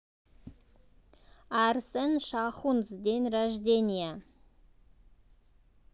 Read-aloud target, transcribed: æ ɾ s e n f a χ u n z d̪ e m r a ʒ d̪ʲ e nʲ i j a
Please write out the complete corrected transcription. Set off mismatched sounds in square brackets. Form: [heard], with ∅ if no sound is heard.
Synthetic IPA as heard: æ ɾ s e n [ʃ] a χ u n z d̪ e [n] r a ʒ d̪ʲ e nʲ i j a